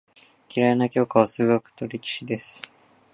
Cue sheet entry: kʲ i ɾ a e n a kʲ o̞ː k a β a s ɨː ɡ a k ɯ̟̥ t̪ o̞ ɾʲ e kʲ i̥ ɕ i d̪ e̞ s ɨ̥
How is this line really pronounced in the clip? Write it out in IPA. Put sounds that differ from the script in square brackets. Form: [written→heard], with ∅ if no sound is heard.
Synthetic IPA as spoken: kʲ i ɾ a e n a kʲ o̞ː k a β a s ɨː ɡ a k ɯ̟̥ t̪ o̞ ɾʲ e kʲ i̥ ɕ i d̪ e̞ s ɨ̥